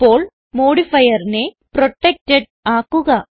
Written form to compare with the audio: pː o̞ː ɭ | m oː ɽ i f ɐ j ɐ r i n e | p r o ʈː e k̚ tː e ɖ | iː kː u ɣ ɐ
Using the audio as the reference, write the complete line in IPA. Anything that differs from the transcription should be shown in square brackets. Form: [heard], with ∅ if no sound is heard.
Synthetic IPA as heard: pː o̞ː ɭ | m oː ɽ i f ɐ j ɐ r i n e | p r o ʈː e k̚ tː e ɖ | [aː] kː u ɣ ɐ